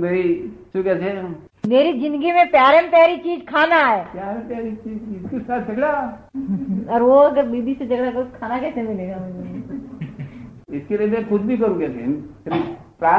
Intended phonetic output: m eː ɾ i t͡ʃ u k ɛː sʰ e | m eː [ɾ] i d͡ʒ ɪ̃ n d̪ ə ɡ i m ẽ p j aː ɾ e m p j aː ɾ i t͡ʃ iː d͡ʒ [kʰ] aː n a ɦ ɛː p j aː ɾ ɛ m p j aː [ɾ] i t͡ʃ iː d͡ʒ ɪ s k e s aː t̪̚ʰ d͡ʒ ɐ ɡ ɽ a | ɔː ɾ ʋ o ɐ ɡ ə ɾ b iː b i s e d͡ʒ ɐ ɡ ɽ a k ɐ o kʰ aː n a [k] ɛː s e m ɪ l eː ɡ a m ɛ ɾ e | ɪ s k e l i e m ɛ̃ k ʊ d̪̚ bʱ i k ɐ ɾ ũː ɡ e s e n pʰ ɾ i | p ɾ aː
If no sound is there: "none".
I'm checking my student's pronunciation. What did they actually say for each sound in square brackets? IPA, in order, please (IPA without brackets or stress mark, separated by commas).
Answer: ɾ, kʰ, ɾ, k